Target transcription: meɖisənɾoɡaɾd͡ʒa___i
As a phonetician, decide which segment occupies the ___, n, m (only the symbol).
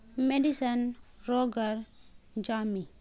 m